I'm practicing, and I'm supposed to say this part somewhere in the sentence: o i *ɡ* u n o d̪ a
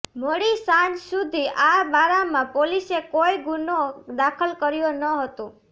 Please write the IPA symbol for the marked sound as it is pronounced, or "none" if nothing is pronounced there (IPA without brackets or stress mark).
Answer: ɡ